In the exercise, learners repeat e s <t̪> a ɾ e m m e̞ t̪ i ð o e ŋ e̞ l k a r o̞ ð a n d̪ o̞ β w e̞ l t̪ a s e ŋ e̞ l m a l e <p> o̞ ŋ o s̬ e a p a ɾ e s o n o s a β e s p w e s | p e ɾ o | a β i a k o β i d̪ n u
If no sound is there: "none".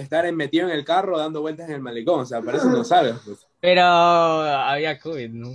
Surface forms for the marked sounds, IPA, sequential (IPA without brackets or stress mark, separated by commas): t̪, k